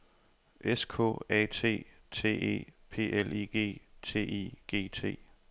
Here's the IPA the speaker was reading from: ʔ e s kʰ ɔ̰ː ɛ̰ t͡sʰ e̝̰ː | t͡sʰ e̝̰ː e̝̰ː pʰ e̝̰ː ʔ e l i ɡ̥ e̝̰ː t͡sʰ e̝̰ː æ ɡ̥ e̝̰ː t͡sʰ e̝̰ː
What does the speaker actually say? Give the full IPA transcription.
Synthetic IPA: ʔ e s kʰ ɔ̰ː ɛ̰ t͡sʰ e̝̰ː | t͡sʰ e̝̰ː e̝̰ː pʰ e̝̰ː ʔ e l i ɡ̥ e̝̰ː t͡sʰ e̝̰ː i ɡ̥ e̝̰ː t͡sʰ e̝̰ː

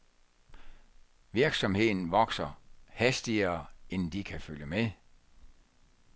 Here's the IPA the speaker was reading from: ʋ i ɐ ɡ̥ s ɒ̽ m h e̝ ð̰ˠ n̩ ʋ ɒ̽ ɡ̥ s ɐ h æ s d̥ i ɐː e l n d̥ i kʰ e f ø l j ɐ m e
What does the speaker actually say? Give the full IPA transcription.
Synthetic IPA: ʋ i ɐ ɡ̥ s ɒ̽ m h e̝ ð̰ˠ n̩ ʋ ɒ̽ ɡ̥ s ɐ h æ s d̥ i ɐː e n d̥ i kʰ æ f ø l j ə m e

